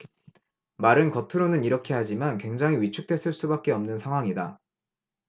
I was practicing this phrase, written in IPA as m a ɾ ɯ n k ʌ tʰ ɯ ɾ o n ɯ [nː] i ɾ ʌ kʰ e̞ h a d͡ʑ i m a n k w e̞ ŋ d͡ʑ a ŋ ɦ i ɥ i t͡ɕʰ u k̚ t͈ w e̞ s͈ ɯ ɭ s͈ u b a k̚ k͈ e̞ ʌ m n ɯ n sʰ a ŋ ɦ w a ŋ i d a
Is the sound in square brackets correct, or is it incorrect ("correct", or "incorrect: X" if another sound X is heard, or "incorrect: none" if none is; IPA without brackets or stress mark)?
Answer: incorrect: n